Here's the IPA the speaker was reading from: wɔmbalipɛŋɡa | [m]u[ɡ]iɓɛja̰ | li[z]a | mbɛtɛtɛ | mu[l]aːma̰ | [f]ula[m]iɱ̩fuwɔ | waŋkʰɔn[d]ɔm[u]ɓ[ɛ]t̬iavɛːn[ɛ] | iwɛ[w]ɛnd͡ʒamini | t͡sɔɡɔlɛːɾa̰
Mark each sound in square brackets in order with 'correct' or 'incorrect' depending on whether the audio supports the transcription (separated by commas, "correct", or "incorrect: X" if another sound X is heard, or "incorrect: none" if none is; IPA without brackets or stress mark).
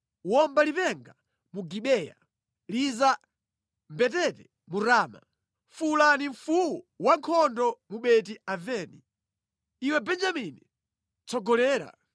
correct, correct, correct, incorrect: ɾ, correct, incorrect: n, correct, correct, correct, incorrect: i, incorrect: b